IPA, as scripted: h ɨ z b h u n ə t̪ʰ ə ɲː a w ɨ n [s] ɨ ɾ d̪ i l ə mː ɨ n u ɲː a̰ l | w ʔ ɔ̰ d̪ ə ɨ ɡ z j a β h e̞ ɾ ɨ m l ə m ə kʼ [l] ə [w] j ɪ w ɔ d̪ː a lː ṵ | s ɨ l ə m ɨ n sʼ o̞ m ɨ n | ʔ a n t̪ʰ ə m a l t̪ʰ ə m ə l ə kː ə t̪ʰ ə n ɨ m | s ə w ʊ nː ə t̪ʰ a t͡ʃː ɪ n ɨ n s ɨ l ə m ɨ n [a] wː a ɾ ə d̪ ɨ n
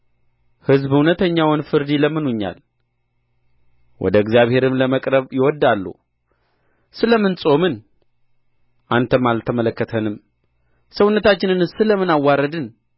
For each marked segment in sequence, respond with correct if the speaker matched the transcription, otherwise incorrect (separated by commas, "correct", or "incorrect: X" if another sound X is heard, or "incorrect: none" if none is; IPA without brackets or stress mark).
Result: incorrect: f, incorrect: ɾ, incorrect: β, correct